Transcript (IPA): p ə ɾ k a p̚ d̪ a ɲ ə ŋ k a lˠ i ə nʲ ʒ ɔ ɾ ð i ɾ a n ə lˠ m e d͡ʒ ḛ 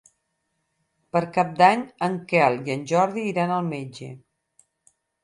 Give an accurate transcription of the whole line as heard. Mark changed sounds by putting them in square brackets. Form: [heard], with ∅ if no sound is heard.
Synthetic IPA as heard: p ə ɾ k a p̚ d̪ a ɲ ə ŋ k [ɛ] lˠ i ə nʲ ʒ ɔ ɾ ð [iː] ɾ a n ə lˠ m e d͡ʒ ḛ

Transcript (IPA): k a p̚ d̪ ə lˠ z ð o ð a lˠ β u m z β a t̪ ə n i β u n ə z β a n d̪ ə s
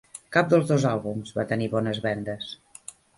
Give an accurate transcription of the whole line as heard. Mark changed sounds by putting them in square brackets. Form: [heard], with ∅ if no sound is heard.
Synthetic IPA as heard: k a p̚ d̪ ə lˠ z ð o [z] a lˠ β u m z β a t̪ ə n i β [ɔ] n ə z β [ɛ] n d̪ ə s

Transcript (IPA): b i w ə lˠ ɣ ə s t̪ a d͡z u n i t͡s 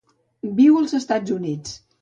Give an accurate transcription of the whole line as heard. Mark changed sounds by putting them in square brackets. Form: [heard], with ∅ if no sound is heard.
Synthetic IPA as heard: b i w ə lˠ [z] ə s t̪ a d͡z u n i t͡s

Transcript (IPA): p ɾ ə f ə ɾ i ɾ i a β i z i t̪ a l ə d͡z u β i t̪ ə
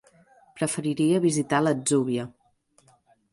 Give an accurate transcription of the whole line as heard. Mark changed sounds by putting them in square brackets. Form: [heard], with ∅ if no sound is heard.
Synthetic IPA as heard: p ɾ ə f ə ɾ i ɾ i [ə] β i z i t̪ a l ə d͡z u β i [∅] ə

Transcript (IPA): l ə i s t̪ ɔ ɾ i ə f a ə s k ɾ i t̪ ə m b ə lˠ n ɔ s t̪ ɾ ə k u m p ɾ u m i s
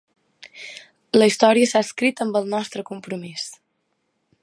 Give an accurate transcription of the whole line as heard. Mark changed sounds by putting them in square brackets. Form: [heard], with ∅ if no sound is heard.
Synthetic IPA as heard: l ə i s t̪ ɔ ɾ i ə [s] a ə s k ɾ i t̪ ə m b ə lˠ n ɔ s t̪ ɾ ə k u m p ɾ u m i s

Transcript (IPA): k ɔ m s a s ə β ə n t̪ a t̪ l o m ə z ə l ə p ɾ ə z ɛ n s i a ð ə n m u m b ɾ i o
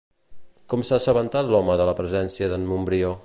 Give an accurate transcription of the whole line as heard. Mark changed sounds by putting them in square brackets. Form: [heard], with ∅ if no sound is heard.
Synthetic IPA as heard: k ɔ m s a s ə β ə n t̪ a t̪ l [ɔ] m ə [ð] ə l ə p ɾ ə z ɛ n s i [ə] ð ə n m u m b ɾ i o

